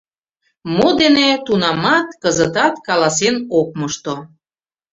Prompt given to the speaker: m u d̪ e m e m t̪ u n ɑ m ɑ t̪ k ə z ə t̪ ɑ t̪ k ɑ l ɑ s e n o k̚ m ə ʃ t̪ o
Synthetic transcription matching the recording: m o d̪ e n e t̪ u n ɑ m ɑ t̪ k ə z ə t̪ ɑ t̪ k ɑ l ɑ s e n o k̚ m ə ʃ t̪ o

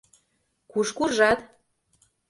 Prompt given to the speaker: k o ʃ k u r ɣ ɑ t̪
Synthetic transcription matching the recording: k u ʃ k u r ʒ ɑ t̪

